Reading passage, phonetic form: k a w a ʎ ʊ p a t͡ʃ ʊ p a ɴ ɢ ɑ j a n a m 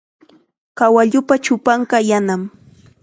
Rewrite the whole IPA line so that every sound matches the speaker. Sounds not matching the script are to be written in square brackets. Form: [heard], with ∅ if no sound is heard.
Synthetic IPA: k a w a ʎ ʊ p a t͡ʃ ʊ p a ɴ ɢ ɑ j a n a m